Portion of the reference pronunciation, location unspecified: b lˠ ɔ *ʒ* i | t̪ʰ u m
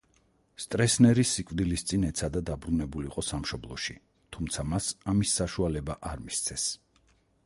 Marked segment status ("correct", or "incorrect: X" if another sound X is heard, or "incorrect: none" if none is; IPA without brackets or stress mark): incorrect: ʃ